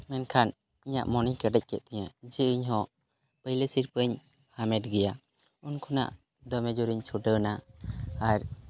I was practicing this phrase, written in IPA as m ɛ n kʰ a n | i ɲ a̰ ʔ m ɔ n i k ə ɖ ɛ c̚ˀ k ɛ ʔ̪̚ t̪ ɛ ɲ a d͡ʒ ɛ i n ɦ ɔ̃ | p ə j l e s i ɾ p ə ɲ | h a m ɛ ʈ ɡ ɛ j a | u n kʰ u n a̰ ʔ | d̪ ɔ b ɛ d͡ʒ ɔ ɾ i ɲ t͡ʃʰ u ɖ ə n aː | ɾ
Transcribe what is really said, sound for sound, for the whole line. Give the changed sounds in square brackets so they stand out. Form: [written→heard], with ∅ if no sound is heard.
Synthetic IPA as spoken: m ɛ n kʰ a n | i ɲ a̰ ʔ m ɔ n i k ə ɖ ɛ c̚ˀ k ɛ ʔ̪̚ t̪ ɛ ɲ a d͡ʒ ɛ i [n→ɲ] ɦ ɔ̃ | p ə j l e s i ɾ p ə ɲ | h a m ɛ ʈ ɡ ɛ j a | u n kʰ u n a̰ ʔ | d̪ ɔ [b→m] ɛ d͡ʒ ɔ ɾ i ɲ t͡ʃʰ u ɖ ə n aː | ɾ